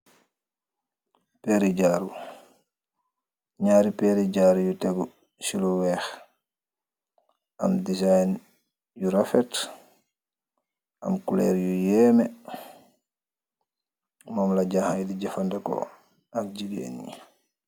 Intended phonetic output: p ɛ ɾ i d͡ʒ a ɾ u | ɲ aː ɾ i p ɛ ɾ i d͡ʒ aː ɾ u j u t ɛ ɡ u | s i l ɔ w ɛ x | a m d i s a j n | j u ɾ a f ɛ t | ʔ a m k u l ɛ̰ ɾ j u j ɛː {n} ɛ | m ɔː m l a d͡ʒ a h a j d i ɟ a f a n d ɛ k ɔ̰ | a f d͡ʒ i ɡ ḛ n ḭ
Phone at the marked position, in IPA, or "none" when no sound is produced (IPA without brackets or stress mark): m